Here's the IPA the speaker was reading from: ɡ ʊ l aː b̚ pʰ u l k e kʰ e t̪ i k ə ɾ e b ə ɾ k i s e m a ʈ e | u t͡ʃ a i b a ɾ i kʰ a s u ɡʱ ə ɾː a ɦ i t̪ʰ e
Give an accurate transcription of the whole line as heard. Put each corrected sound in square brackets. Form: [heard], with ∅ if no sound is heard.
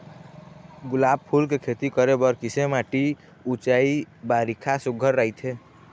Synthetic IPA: ɡ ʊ l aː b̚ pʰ u l k e kʰ e t̪ i k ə ɾ e b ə ɾ k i s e m a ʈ [i] | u t͡ʃ a i b a ɾ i kʰ a s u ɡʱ ə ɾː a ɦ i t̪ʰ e